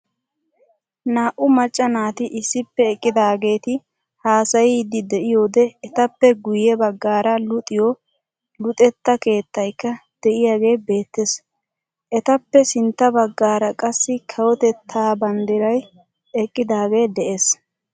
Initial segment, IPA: n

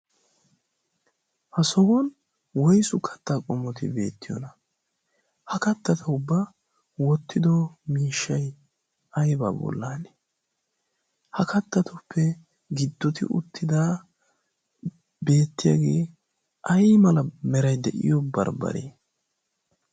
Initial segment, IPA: h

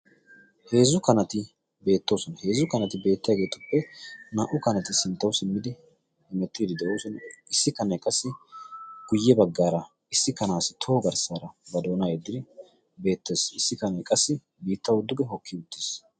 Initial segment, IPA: h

